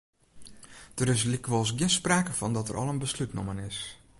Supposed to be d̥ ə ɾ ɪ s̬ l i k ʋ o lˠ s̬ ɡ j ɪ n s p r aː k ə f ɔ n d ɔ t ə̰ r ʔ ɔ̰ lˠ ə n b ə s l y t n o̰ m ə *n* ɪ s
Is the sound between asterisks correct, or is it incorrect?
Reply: correct